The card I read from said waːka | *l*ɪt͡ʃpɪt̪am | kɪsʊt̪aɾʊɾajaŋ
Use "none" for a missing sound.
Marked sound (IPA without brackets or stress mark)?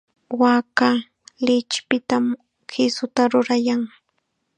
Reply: l